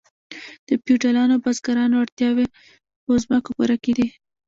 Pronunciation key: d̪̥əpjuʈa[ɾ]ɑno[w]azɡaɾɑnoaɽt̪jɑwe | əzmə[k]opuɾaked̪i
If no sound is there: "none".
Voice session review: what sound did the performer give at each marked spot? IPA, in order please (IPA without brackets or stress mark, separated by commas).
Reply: l, b, k